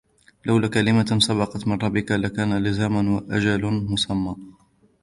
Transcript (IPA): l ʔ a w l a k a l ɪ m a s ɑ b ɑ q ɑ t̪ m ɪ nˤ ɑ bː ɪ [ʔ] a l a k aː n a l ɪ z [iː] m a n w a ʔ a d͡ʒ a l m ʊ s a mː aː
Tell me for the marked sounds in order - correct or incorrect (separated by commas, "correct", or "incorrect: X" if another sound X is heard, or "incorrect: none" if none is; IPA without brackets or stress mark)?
incorrect: k, incorrect: aː